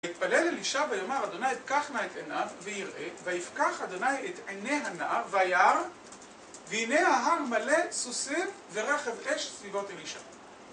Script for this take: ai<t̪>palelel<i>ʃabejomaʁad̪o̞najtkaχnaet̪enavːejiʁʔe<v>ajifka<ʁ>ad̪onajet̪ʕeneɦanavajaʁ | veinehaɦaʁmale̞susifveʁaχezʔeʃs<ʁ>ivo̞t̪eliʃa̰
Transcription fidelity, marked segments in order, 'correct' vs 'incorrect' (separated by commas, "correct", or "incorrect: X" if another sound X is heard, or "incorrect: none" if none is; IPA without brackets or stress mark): correct, correct, correct, incorrect: χ, incorrect: v